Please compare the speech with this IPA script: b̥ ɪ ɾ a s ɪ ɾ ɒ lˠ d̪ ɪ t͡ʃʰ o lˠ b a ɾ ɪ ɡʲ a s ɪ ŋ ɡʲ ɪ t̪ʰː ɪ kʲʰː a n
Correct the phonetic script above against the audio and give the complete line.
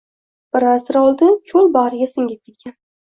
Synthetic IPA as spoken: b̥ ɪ ɾ a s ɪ ɾ ɒ lˠ d̪ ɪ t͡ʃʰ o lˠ b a ɾ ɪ ɡʲ a s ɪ ŋ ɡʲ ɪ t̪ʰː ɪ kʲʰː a n